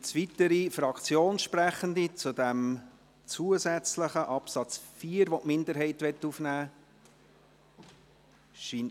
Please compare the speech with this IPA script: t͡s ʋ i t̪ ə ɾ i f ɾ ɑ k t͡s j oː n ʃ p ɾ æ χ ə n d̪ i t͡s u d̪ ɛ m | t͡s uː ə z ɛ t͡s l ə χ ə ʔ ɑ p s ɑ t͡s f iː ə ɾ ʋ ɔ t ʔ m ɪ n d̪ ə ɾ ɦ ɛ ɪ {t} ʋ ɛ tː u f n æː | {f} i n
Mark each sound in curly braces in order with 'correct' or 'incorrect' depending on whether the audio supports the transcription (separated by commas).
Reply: correct, incorrect